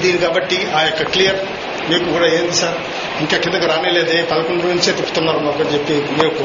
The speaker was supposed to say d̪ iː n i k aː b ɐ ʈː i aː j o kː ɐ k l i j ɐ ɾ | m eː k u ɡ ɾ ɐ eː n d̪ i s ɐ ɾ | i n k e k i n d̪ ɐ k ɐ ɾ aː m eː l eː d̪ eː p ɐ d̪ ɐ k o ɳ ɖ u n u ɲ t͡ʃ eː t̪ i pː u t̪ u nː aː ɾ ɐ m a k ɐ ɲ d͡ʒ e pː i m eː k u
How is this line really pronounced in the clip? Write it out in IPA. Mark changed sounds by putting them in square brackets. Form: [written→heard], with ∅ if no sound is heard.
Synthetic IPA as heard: d̪ iː n i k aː b ɐ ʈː i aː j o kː ɐ k l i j ɐ ɾ | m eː k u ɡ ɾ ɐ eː n d̪ i s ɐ ɾ | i [n→ŋ] k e k i n d̪ ɐ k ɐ ɾ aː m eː l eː d̪ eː p ɐ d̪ ɐ k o ɳ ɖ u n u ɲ t͡ʃ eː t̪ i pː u t̪ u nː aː ɾ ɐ m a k ɐ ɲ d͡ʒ e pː i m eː k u